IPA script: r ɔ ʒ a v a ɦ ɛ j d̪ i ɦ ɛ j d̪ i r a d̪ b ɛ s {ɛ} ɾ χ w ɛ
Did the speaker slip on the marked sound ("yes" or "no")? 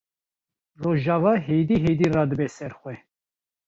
no